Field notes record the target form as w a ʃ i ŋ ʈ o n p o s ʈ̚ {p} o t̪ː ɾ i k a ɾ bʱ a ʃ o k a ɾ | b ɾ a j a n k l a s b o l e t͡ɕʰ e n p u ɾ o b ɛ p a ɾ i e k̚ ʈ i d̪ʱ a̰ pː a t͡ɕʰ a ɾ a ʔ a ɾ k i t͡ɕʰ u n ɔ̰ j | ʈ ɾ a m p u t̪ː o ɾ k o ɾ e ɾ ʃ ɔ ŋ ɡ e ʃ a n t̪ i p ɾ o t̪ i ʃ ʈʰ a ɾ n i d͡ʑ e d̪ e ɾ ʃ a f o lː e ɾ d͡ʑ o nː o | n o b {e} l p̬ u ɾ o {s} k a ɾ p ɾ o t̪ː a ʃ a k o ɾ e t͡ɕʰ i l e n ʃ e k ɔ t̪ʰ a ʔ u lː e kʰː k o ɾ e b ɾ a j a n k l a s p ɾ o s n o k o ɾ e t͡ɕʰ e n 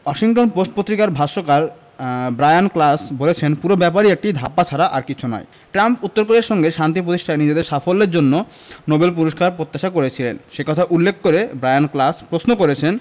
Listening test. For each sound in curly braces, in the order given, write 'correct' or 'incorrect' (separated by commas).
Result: correct, correct, incorrect